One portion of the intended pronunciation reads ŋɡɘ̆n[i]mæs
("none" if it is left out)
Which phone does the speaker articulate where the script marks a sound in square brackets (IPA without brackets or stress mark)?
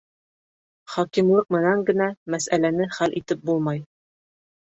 æ